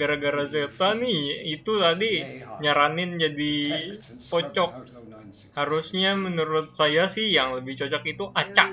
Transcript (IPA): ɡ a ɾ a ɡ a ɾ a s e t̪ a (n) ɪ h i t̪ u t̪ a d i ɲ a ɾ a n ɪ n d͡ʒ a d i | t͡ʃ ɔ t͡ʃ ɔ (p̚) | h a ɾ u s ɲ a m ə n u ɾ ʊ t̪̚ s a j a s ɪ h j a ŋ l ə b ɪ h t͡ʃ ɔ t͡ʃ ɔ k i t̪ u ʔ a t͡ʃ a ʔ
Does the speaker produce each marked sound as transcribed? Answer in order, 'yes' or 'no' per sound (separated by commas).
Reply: yes, no